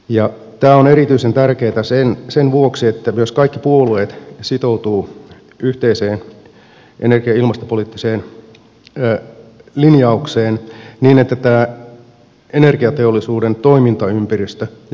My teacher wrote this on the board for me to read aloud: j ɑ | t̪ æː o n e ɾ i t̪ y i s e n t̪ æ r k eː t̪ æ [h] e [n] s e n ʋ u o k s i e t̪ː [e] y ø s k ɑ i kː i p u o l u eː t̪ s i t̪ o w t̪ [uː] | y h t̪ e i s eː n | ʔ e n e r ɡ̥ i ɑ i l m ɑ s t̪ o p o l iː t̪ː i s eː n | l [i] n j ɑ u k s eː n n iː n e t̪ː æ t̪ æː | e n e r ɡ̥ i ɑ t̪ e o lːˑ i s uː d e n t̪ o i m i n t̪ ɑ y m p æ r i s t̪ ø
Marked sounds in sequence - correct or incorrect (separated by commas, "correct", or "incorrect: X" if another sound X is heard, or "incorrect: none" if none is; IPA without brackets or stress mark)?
incorrect: s, correct, incorrect: æ, correct, correct